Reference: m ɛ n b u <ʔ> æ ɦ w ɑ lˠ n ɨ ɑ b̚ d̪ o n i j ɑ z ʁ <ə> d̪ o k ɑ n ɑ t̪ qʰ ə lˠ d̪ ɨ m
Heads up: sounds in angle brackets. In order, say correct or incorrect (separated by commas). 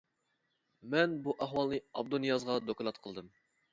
correct, incorrect